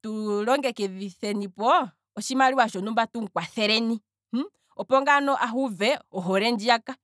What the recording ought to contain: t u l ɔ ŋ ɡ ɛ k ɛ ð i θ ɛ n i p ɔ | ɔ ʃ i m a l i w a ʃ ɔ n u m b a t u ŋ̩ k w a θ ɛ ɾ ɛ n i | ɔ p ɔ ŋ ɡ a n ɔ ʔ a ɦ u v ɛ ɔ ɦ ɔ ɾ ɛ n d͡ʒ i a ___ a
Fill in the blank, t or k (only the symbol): k